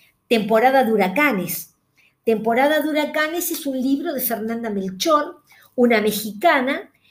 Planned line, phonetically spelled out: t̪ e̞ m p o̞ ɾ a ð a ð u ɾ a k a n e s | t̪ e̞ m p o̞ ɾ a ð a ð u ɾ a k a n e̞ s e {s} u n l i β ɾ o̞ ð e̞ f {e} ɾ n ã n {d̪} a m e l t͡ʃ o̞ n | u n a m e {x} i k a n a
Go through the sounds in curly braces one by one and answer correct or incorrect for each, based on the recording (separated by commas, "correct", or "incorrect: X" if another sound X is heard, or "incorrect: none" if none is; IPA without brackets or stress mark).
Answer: correct, correct, correct, correct